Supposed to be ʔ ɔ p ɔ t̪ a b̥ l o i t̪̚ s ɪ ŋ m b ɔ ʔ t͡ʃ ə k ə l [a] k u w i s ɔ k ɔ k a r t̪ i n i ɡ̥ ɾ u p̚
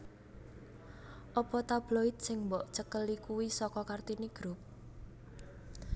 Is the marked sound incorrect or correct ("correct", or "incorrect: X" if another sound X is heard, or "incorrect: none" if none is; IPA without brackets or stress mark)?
incorrect: i